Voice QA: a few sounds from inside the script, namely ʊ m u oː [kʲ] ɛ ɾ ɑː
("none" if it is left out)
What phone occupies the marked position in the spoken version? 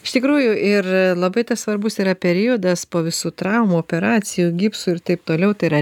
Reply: pʲ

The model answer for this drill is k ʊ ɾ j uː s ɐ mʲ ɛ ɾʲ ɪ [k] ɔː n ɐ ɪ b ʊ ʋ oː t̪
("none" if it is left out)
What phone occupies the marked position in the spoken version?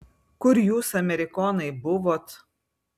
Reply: k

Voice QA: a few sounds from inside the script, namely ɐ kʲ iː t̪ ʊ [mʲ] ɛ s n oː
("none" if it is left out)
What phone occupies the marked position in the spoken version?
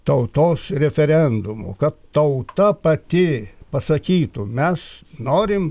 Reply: mʲ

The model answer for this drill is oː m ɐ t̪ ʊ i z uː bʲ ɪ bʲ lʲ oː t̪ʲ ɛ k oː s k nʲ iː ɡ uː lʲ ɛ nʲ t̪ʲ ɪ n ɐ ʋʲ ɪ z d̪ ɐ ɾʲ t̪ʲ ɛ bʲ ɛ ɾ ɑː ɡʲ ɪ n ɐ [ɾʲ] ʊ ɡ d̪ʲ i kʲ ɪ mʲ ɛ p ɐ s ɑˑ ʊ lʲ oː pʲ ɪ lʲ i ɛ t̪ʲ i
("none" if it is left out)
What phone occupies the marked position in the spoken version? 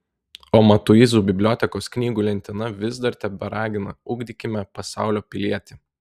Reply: none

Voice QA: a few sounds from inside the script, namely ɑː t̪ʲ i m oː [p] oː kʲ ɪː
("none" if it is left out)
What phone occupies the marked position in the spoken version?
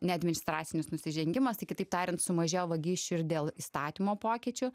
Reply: p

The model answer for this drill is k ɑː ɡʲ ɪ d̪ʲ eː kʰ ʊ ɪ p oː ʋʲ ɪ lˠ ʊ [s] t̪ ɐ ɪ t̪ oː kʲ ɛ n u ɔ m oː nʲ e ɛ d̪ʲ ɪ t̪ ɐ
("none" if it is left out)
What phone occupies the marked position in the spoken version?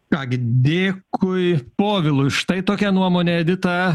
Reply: ʃ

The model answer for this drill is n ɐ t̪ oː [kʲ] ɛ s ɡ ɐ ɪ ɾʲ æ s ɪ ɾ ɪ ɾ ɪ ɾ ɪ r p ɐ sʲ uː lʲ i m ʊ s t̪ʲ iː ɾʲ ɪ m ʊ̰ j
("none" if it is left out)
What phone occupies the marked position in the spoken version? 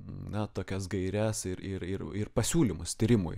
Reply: kʲ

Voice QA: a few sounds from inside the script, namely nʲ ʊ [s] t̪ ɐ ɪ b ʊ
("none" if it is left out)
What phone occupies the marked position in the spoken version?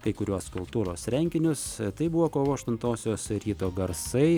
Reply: s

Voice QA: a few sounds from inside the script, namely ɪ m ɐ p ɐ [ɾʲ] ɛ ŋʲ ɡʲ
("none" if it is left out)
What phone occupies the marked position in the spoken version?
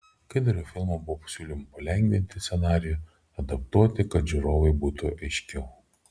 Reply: lʲ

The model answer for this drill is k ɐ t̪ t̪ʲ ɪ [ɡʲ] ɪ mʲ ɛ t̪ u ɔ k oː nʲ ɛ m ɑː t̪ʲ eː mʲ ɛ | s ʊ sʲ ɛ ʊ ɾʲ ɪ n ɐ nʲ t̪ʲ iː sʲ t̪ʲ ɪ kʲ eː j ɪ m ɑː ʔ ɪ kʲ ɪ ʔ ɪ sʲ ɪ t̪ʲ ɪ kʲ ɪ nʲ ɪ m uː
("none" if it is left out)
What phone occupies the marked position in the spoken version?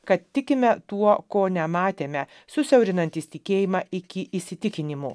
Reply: kʲ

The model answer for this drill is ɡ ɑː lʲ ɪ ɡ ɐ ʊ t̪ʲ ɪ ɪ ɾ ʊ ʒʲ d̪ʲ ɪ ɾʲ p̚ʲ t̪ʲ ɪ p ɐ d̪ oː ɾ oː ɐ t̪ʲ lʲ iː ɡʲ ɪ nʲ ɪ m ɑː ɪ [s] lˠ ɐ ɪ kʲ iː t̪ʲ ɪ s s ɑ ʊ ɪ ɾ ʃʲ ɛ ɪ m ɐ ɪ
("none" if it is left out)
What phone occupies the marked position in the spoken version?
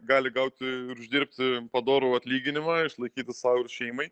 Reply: ʃ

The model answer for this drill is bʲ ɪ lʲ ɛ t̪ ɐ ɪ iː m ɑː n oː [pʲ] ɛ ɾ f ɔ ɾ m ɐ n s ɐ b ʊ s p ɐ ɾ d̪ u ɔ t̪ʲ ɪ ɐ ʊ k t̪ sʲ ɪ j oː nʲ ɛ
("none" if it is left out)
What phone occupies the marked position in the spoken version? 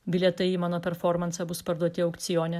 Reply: pʲ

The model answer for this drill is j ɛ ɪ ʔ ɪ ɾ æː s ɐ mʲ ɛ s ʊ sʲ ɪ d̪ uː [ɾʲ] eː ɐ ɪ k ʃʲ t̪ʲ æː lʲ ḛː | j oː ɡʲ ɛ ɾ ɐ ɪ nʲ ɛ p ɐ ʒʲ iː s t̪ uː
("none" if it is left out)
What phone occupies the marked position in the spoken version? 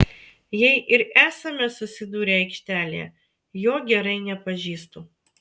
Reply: ɾʲ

